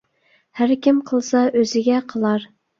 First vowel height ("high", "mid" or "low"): low